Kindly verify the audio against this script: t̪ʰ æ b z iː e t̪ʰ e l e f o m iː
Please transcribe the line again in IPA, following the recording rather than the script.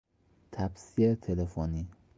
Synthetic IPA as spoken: t̪ʰ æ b s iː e t̪ʰ e l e f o n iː

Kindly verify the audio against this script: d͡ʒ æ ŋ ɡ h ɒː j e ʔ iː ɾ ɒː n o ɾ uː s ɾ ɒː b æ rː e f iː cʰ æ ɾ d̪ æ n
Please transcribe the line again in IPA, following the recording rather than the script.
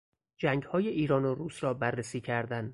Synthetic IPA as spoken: d͡ʒ æ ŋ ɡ h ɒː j e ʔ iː ɾ ɒː n o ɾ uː s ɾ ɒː b æ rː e s iː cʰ æ ɾ d̪ æ n

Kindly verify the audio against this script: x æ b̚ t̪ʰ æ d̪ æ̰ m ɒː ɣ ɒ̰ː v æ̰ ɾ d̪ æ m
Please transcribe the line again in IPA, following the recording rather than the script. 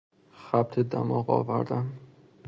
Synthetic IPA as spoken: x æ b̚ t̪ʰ e d̪ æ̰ m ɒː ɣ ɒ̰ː v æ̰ ɾ d̪ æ m

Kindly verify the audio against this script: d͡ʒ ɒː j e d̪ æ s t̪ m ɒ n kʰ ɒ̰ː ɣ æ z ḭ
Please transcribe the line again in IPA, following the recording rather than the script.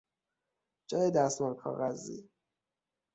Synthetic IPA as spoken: d͡ʒ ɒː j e d̪ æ s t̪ m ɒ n kʰ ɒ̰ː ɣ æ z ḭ

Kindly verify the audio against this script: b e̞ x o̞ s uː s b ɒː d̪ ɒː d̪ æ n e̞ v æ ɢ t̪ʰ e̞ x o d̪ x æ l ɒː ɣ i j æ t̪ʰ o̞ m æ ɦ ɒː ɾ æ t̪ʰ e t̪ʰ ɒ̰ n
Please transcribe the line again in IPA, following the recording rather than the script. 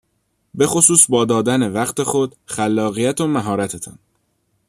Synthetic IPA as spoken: b e̞ x o̞ s uː s b ɒː d̪ ɒː d̪ æ n e̞ v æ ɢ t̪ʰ e̞ x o d̪ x æ lː ɒː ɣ i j æ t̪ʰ o̞ m æ ɦ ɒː ɾ æ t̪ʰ e t̪ʰ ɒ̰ n

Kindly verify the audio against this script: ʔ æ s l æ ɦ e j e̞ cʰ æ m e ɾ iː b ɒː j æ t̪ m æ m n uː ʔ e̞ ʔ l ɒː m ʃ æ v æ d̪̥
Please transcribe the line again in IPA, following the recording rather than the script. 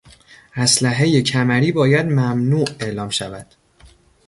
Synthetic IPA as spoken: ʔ æ s l æ ɦ e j e̞ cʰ æ m æ ɾ iː b ɒː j æ d̪ m æ m n uː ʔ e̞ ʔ l ɒː m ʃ æ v æ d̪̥

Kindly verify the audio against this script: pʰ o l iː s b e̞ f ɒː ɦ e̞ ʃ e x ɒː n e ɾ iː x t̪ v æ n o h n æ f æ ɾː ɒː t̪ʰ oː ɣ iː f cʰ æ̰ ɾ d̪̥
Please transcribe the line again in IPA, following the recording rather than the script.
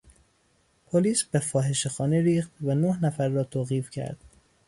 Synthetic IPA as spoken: pʰ o l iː s b e̞ f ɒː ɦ e̞ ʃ e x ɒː n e ɾ iː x t̪ v æ n o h n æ f æ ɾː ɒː t̪ʰ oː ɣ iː f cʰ æ̰ ɾ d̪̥

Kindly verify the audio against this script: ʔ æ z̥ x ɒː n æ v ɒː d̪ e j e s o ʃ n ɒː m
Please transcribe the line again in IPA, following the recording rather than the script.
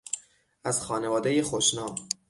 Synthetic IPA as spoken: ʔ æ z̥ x ɒː n e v ɒː d̪ e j e x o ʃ n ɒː m

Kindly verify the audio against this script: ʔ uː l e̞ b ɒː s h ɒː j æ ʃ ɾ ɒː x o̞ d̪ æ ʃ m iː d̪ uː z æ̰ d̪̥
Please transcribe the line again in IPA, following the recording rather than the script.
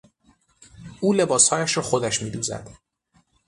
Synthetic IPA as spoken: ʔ uː l e̞ b ɒː s h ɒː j æ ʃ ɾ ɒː x o̞ d̪ æ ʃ m iː d̪ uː z æ̰ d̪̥

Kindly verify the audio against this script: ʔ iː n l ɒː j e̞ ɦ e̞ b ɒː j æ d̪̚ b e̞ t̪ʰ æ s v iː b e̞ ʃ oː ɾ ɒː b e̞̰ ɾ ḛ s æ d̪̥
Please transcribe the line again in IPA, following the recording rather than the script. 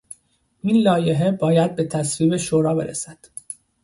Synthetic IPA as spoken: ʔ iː n l ɒː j e̞ ɦ e̞ b ɒː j æ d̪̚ b e̞ t̪ʰ æ s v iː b e̞ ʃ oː ɾ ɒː b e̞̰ ɾ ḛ s æ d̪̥

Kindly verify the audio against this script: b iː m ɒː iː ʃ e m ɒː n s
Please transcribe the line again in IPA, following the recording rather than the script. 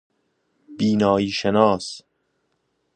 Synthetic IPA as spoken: b iː n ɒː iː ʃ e n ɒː s

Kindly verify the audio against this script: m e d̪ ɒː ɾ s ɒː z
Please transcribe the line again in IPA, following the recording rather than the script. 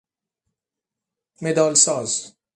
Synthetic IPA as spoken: m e d̪ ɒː l s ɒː z

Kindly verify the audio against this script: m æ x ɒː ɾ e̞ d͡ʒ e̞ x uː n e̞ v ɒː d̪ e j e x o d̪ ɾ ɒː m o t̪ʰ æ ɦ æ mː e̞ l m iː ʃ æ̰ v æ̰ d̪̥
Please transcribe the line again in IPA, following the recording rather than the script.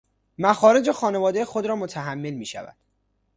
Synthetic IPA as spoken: m æ x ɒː ɾ e̞ d͡ʒ e̞ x ɒː n e̞ v ɒː d̪ e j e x o d̪ ɾ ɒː m o t̪ʰ æ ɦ æ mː e̞ l m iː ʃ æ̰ v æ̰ d̪̥

